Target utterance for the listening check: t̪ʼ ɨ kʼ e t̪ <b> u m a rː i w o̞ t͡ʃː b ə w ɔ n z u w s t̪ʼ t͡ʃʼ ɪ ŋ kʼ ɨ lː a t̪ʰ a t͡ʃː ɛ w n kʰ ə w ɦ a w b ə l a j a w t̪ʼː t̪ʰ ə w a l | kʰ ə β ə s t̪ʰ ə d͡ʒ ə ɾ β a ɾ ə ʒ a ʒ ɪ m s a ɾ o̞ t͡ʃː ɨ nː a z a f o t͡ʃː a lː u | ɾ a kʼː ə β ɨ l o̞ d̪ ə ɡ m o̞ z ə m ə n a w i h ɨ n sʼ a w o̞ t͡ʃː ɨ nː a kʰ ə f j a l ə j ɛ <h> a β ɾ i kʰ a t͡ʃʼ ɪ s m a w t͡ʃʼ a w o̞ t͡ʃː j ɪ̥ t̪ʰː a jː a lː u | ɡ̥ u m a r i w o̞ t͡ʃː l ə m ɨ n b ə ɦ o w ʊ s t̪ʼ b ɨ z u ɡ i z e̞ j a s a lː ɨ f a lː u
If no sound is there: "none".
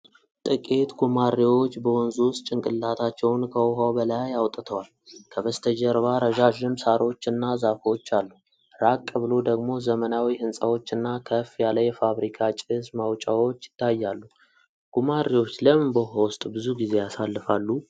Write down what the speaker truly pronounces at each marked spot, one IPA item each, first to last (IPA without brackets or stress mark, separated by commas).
ɡ, f